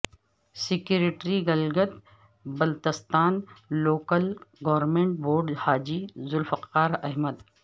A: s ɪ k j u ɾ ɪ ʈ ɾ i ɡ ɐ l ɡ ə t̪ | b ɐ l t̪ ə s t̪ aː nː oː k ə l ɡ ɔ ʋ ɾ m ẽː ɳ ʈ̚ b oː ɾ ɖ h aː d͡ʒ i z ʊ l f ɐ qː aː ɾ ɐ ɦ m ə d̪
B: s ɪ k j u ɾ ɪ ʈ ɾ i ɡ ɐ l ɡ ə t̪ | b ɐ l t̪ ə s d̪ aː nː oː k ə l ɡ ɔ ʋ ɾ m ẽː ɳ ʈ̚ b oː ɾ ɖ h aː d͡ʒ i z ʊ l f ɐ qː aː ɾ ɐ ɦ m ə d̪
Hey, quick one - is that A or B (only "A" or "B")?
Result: A